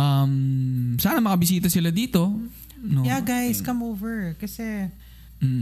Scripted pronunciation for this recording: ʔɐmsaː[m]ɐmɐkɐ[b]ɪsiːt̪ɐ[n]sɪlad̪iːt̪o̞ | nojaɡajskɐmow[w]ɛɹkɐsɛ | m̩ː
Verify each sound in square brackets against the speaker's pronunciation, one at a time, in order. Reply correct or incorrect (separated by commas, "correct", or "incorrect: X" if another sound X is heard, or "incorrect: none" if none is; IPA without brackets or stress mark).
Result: incorrect: n, correct, incorrect: none, incorrect: v